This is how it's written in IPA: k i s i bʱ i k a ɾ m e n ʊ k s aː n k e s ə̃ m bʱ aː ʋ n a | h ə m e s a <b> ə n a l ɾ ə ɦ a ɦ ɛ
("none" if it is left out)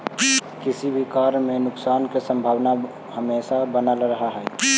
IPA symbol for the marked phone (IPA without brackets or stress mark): b